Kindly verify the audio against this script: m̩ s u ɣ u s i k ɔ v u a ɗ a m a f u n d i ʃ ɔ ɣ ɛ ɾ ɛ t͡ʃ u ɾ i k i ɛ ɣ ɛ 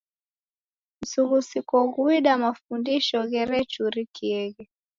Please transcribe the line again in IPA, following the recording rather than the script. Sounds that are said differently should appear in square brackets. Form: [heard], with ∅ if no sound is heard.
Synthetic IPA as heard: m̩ s u ɣ u s i k ɔ [ɣ] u [i] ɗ a m a f u n d i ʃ ɔ ɣ ɛ ɾ ɛ t͡ʃ u ɾ i k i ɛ ɣ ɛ